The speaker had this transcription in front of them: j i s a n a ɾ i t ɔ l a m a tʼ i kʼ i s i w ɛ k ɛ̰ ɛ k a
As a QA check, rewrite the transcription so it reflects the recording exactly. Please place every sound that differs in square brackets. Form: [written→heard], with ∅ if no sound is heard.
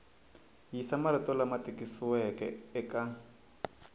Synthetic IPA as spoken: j i s a [n→m] a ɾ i t ɔ l a m a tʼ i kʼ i s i w ɛ k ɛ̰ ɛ k a